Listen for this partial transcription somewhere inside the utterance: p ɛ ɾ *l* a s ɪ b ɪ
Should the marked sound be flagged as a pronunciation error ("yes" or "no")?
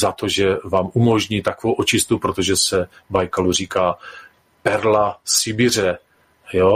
no